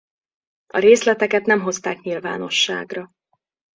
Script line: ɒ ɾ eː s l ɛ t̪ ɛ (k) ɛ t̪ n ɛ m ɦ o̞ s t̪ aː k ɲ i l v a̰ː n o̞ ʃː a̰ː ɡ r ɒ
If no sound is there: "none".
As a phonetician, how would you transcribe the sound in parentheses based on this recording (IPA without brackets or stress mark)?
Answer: k